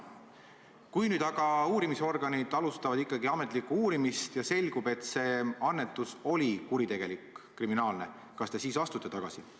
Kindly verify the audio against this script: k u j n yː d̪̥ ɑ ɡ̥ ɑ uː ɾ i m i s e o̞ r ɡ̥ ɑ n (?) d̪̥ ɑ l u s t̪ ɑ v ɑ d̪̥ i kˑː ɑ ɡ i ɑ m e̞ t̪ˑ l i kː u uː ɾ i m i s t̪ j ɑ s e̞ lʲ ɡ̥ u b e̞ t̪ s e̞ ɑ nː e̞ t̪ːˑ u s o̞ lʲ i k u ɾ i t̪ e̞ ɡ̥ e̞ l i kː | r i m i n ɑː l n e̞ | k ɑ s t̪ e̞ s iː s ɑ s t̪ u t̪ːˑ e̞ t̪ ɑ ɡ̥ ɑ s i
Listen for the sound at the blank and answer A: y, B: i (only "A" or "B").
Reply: B